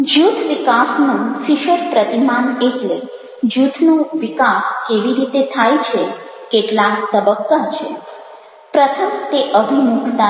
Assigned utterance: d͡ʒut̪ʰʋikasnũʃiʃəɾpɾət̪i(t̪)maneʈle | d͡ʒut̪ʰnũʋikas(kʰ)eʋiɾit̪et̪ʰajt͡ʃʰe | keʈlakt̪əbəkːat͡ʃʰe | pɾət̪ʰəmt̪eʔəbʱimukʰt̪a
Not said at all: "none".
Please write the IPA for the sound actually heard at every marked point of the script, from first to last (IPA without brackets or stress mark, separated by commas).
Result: none, k